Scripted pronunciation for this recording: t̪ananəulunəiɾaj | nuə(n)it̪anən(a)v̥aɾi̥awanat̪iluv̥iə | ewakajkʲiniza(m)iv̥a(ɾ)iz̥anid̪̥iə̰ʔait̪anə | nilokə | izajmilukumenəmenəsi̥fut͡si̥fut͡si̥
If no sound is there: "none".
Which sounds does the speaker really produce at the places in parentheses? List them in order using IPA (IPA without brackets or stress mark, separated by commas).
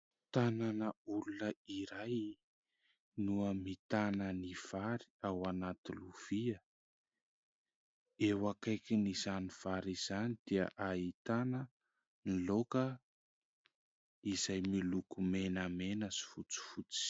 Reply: m, i, n, ɾ